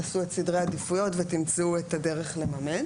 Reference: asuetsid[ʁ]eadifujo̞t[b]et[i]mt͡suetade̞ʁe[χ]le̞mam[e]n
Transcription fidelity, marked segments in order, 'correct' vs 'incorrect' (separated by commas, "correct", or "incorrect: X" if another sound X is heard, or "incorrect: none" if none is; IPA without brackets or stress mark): correct, incorrect: v, correct, correct, correct